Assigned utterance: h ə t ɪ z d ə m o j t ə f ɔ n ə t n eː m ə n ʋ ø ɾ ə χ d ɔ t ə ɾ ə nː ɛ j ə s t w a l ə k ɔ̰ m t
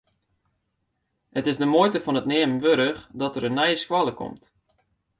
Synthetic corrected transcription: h ə t ɪ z d ə m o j t ə f ɔ n ə t n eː m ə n ʋ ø ɾ ə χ d ɔ t ə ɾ ə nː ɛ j ə s k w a l ə k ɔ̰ m t